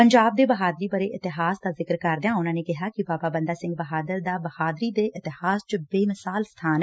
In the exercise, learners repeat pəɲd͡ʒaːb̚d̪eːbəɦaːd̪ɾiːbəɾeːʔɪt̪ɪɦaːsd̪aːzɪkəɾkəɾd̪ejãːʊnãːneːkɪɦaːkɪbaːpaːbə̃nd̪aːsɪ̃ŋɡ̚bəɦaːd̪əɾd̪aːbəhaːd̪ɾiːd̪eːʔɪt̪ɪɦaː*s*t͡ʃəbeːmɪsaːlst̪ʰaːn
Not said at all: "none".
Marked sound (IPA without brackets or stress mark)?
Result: s